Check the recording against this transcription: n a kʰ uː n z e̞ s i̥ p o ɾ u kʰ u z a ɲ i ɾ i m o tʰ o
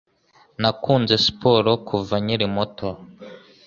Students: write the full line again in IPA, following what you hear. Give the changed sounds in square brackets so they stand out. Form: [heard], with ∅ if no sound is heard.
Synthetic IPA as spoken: n a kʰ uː n z e̞ s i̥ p o ɾ [o] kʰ u [v] a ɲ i ɾ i m o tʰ o